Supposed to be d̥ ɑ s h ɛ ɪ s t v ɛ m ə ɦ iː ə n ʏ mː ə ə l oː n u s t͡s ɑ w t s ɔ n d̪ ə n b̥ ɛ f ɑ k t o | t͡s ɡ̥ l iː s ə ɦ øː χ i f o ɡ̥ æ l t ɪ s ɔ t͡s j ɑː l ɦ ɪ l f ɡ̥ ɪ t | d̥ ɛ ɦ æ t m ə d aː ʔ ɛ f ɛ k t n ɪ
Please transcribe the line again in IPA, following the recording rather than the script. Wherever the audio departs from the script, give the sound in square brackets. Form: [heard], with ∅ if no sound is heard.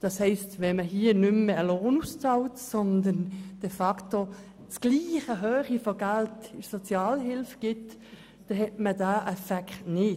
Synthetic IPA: d̥ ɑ s h ɛ ɪ s t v ɛ m ə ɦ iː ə n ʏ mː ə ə l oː n u s t͡s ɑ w t s ɔ n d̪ ə n [d̥] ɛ f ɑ k t o | t͡s ɡ̥ l iː [χ] ə ɦ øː χ i f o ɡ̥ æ l t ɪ s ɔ t͡s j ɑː l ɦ ɪ l f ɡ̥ ɪ t | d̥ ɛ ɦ [ɛ] t m ə d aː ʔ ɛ f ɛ k t n ɪ